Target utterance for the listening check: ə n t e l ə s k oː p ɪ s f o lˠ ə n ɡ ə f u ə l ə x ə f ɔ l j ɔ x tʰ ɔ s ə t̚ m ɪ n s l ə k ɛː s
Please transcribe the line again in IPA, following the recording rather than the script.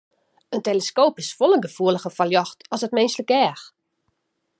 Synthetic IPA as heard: ə n t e l ə s k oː p ɪ s f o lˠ ə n ɡ ə f u ə l ə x ə f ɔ l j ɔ x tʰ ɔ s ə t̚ m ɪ n s l ə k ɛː x